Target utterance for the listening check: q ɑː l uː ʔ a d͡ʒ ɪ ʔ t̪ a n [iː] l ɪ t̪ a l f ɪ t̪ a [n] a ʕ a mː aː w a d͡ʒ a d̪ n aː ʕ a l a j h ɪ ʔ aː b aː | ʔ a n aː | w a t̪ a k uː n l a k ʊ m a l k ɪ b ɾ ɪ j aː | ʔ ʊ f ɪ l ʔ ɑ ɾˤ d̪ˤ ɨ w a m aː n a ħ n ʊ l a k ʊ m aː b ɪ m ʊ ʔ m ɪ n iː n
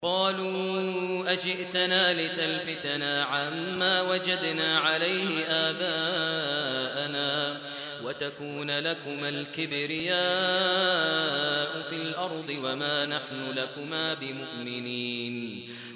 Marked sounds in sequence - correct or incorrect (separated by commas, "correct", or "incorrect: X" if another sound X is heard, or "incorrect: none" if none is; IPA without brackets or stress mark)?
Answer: incorrect: aː, correct